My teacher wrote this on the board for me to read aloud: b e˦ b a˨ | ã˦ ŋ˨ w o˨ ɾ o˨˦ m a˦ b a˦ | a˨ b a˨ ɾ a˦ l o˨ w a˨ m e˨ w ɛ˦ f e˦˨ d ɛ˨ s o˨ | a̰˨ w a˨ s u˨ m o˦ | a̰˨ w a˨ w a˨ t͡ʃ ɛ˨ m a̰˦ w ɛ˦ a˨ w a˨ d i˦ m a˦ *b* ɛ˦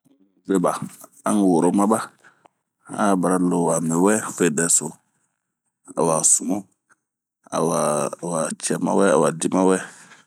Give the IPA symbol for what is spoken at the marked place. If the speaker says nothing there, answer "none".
w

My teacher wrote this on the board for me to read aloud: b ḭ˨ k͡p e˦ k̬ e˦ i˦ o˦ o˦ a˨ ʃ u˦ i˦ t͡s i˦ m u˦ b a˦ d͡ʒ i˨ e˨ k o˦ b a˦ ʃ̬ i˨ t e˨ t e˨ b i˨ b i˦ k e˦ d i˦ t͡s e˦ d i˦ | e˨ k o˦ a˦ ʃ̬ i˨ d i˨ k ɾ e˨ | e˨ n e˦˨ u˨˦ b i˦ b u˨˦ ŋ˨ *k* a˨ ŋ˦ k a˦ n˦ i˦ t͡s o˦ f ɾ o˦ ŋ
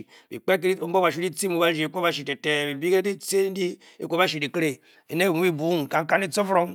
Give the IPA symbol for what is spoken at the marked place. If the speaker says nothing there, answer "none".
k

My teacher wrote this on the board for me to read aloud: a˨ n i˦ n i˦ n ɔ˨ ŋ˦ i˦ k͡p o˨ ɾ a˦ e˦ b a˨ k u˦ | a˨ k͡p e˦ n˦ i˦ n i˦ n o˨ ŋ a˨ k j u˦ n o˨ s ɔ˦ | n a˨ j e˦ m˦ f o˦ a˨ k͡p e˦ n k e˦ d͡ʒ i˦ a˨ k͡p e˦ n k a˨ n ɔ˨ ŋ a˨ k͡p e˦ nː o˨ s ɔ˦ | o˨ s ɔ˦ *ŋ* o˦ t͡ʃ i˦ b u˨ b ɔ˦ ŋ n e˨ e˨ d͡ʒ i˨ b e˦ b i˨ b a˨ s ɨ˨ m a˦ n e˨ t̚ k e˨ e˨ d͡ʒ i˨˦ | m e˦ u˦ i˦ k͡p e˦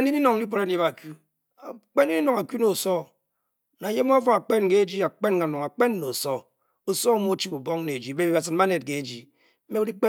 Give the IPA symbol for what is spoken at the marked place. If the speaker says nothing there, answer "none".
m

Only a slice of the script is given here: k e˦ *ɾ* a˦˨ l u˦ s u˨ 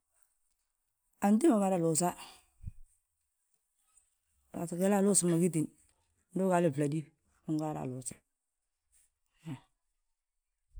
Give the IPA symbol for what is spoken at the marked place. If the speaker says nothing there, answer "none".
l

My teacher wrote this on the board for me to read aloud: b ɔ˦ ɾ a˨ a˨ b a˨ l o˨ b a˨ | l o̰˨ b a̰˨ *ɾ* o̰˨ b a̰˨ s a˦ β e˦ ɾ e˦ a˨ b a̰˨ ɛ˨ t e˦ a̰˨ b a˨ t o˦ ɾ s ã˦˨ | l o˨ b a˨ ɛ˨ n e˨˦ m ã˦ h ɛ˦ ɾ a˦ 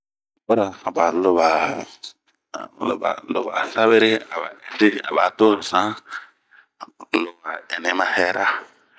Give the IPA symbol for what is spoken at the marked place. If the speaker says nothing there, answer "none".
l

